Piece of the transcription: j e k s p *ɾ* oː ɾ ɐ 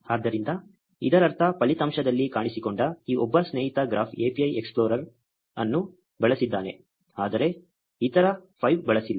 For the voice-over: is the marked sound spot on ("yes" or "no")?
no